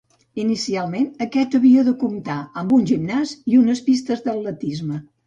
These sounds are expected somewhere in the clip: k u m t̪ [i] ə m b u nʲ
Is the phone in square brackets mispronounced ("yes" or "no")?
yes